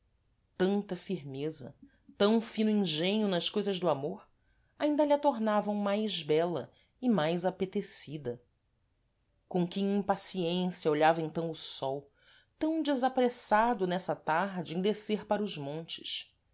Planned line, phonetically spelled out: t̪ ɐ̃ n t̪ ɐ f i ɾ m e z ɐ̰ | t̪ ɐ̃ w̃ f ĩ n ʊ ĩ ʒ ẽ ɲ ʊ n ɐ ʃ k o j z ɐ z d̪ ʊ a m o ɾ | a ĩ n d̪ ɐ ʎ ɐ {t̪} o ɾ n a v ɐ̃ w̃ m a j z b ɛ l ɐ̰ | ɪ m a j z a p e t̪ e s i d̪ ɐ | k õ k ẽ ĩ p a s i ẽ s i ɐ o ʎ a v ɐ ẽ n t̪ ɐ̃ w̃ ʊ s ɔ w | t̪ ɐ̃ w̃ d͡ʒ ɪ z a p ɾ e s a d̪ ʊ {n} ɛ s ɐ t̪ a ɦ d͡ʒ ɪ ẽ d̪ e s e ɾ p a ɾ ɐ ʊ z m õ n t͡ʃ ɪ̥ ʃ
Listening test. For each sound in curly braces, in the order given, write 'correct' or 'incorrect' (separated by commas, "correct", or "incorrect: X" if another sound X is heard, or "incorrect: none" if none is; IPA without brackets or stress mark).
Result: correct, correct